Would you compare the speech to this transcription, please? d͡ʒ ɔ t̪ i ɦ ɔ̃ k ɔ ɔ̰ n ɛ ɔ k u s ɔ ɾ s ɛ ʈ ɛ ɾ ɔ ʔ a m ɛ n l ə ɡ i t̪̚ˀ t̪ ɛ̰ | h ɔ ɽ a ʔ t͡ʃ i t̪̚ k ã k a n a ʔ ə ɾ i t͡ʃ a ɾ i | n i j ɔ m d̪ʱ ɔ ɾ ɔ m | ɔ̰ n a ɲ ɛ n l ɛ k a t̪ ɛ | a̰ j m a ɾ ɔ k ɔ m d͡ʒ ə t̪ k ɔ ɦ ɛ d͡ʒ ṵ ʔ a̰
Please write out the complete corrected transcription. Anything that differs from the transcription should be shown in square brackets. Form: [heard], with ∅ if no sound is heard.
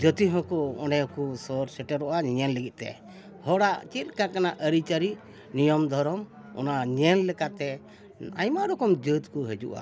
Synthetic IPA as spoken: d͡ʒ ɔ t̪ i ɦ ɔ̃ k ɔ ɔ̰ n ɛ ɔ k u s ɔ ɾ s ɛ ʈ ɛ ɾ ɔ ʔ a [ɲ] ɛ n l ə ɡ i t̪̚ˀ t̪ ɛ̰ | h ɔ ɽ a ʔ t͡ʃ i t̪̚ k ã k a n a ʔ ə ɾ i t͡ʃ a ɾ i | n i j ɔ m d̪ʱ ɔ ɾ ɔ m | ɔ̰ n a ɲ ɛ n l ɛ k a t̪ ɛ | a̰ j m a ɾ ɔ k ɔ m d͡ʒ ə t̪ k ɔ ɦ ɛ d͡ʒ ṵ ʔ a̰